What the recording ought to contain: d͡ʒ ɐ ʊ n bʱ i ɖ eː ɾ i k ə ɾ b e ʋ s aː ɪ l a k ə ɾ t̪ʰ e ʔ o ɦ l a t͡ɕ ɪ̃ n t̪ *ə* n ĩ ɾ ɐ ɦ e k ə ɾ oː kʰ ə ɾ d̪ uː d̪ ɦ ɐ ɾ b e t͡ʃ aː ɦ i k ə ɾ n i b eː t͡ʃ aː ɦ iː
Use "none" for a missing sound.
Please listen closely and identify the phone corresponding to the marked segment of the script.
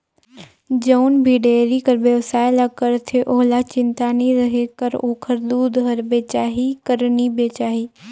a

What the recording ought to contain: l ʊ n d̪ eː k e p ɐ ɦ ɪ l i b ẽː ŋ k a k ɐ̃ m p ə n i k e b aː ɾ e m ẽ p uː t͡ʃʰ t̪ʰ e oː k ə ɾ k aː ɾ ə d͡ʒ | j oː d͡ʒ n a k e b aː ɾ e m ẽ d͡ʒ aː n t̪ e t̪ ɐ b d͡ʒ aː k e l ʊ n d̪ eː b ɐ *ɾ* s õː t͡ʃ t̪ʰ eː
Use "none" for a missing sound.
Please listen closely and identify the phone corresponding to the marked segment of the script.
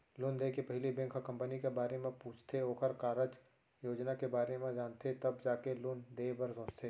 ɾ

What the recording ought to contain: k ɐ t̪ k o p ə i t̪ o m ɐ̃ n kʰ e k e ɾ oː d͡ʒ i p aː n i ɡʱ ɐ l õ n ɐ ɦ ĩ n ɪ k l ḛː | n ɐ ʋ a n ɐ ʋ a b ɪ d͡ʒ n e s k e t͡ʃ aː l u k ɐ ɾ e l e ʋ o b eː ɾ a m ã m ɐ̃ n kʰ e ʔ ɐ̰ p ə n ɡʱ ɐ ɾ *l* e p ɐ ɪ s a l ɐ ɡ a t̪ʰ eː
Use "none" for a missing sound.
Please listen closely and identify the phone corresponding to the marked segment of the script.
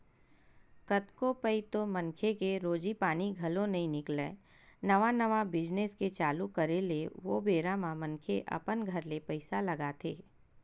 l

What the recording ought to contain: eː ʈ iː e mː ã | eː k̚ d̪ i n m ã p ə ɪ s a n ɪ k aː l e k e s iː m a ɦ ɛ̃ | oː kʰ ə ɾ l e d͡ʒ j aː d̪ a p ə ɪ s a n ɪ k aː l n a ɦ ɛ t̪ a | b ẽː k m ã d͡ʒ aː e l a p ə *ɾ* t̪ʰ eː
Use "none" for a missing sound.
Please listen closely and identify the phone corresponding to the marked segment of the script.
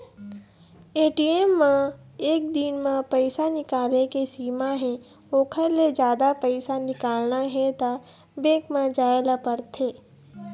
ɾ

